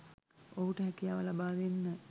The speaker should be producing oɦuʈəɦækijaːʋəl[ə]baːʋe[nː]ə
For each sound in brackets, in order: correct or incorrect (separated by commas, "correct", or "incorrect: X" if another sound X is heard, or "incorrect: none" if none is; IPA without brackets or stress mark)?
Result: incorrect: a, correct